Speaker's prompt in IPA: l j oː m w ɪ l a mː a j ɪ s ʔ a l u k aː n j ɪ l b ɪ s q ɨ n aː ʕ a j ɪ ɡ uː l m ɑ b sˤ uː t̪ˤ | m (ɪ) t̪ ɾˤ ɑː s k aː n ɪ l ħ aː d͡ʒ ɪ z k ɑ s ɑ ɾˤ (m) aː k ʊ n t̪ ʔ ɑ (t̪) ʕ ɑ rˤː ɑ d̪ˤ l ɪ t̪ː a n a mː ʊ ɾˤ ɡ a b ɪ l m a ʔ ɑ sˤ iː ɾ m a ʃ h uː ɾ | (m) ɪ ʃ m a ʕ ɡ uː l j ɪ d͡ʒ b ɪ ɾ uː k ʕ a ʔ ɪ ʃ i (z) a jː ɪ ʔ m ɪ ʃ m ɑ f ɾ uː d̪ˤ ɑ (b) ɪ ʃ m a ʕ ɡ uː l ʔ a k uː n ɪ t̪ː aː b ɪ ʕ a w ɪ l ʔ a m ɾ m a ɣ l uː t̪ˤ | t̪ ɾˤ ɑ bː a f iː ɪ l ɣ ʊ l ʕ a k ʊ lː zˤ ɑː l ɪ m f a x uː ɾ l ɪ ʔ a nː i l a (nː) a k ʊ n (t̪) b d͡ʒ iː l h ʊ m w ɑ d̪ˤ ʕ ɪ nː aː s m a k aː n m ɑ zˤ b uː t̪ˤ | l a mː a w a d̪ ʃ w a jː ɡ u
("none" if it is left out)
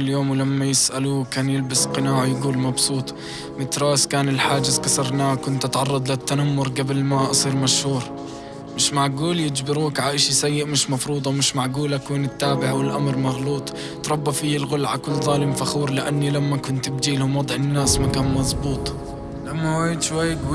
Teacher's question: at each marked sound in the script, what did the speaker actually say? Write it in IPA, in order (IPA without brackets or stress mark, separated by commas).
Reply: ɪ, n, t̪, m, s, m, mː, t̪